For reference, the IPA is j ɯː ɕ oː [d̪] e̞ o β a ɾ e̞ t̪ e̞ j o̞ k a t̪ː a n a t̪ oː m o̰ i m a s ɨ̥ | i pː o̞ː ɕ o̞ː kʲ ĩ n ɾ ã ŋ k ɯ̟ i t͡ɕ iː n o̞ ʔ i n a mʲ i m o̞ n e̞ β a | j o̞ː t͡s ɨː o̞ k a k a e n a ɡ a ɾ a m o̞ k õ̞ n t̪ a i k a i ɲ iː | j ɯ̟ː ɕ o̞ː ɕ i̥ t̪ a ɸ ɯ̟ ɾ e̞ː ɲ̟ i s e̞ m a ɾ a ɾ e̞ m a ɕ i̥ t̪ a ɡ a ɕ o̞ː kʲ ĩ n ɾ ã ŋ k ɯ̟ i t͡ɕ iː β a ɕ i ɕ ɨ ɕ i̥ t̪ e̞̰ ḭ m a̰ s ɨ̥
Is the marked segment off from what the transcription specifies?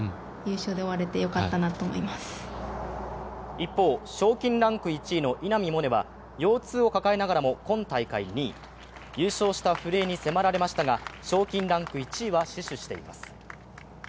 no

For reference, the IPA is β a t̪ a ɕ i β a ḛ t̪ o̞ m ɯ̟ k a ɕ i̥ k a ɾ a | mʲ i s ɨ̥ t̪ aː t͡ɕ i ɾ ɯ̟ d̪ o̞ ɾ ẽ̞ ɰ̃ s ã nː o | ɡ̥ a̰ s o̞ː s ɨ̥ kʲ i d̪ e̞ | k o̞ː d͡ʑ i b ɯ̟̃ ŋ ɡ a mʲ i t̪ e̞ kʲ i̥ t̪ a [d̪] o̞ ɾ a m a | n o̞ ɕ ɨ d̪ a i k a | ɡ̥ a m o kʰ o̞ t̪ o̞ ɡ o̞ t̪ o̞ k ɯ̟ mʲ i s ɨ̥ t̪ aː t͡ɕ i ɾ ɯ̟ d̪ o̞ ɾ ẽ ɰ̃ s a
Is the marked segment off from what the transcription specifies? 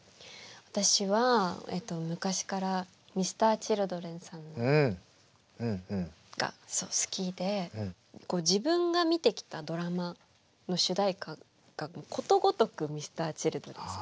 no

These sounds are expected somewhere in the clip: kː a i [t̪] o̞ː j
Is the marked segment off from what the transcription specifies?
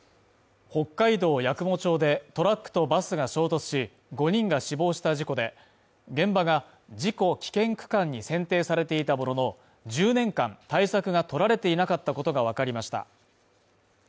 yes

